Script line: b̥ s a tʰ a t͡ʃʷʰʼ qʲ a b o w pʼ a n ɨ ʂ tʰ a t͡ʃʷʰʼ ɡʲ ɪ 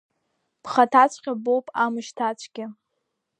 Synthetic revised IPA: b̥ χ a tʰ a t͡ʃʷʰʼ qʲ a b o w pʼ a m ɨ ʃ tʰ a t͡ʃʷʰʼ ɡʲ ɪ